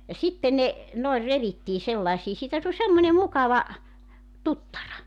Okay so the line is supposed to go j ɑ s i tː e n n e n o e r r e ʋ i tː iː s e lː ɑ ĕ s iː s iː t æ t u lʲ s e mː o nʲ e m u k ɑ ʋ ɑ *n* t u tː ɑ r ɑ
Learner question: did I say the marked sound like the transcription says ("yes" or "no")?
no